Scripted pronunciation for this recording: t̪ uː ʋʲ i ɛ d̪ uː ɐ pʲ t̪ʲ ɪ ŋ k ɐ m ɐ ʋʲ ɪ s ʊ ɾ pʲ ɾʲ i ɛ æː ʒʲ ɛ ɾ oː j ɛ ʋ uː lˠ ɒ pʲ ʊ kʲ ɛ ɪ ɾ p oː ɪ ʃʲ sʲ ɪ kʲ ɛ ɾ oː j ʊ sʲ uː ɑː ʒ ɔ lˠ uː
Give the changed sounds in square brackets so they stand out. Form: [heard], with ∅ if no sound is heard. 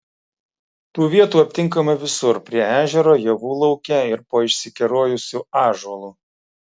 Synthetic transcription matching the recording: t̪ uː ʋʲ i ɛ [t̪] uː ɐ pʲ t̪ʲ ɪ ŋ k ɐ m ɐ ʋʲ ɪ s ʊ ɾ pʲ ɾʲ i ɛ æː ʒʲ ɛ ɾ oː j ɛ ʋ uː lˠ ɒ [∅] ʊ kʲ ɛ ɪ ɾ p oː ɪ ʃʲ sʲ ɪ kʲ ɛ ɾ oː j ʊ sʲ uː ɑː ʒ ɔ lˠ uː